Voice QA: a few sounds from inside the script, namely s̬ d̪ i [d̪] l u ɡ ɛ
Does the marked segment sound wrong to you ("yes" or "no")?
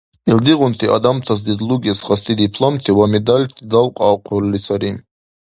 no